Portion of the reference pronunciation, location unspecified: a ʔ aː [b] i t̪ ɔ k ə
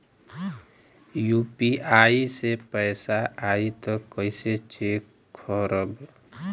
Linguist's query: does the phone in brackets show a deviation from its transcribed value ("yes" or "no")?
yes